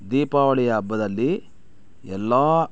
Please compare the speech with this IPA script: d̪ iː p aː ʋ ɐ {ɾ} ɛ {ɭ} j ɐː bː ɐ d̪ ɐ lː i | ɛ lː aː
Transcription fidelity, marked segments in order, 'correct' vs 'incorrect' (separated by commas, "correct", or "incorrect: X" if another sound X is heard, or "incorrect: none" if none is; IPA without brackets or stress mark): incorrect: ɭ, incorrect: none